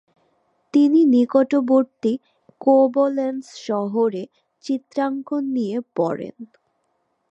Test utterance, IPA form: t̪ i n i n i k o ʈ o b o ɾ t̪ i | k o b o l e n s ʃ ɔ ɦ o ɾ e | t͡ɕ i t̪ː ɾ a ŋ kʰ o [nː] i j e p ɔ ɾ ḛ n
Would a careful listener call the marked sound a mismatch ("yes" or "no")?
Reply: no